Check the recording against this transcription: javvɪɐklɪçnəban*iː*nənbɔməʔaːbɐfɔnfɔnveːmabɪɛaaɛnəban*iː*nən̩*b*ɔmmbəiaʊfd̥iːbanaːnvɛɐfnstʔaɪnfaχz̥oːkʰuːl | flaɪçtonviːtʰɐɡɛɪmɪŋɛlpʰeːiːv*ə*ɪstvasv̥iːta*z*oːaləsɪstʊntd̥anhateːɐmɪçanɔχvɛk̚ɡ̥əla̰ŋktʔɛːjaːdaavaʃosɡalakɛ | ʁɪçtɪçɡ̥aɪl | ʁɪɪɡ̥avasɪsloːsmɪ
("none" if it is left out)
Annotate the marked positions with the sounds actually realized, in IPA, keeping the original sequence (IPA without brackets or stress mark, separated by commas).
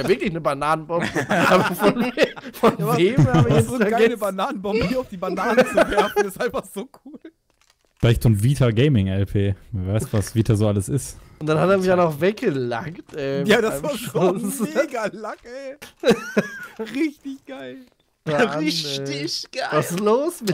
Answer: aː, aː, b, a, z